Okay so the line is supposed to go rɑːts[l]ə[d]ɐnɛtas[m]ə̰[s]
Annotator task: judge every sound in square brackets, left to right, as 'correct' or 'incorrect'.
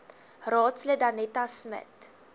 correct, correct, correct, incorrect

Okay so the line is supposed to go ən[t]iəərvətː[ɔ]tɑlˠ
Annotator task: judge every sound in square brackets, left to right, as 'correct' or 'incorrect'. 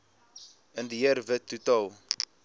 incorrect, incorrect

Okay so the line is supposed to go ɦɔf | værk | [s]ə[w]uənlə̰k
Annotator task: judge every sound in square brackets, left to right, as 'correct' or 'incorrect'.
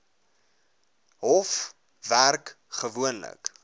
incorrect, incorrect

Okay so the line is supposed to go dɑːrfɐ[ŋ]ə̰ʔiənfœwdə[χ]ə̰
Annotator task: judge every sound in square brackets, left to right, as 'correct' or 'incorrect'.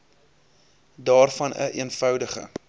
incorrect, correct

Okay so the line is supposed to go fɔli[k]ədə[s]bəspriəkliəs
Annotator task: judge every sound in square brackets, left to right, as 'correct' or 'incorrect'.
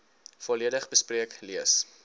incorrect, incorrect

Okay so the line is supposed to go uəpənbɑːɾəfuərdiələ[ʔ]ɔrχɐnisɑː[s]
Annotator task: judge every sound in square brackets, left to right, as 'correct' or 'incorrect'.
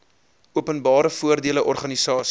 correct, correct

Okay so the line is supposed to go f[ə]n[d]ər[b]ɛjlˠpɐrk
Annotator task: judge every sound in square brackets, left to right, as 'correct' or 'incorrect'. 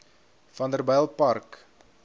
incorrect, correct, correct

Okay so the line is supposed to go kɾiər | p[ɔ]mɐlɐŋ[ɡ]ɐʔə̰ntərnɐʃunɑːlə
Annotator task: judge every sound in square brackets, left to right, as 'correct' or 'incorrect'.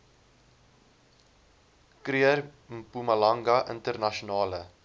incorrect, correct

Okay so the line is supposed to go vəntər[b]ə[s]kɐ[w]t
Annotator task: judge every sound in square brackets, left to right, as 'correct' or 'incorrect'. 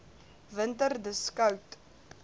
incorrect, correct, correct

